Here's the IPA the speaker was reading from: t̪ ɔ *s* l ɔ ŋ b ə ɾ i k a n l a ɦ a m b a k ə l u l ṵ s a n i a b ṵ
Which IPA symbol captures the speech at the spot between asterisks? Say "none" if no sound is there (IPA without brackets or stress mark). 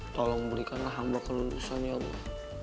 none